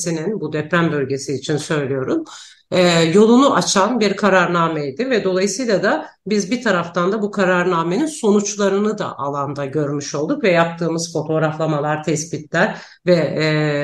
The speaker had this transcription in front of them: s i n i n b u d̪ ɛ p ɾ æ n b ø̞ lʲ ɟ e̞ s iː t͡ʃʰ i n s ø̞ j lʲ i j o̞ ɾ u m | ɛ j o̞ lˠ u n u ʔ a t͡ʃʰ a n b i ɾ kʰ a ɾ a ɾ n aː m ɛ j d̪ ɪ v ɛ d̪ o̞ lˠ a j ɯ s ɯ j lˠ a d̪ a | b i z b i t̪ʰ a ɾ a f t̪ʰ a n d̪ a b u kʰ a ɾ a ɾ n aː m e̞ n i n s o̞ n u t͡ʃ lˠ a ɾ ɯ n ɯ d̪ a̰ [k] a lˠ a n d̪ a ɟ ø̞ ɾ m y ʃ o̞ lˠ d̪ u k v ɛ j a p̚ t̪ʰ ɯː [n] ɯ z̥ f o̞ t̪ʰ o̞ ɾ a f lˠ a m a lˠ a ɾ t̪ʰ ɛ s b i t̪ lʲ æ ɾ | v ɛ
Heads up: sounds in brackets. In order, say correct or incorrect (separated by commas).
incorrect, incorrect